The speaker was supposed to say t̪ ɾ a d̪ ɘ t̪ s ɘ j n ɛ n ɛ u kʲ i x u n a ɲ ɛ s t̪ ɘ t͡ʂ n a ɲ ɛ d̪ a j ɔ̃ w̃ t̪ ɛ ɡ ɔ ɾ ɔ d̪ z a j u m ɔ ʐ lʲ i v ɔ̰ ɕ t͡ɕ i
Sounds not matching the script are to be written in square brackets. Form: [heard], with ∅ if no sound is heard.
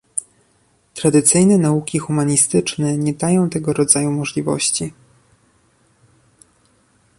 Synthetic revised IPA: t̪ ɾ a d̪ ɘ t̪ s ɘ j n ɛ n [a] u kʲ i x u [m] a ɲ [i] s t̪ ɘ t͡ʂ n [ɛ] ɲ ɛ d̪ a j ɔ̃ w̃ t̪ ɛ ɡ ɔ ɾ ɔ d̪ z a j u m ɔ ʐ lʲ i v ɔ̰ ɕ t͡ɕ i